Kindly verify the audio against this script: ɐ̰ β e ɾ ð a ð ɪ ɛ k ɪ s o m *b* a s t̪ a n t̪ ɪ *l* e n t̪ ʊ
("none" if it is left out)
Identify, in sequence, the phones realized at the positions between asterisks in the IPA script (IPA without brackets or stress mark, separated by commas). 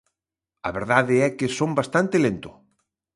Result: b, l